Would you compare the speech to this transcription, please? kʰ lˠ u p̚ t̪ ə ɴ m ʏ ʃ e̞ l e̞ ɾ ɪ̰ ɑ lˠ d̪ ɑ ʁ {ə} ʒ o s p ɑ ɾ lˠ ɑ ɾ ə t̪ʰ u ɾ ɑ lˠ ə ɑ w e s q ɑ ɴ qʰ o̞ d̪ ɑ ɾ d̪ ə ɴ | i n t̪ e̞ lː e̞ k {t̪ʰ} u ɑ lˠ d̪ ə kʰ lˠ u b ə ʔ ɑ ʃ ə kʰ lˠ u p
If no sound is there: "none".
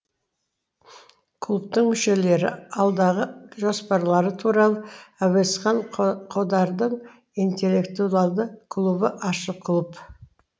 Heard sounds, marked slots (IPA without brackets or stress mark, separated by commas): ə, t̪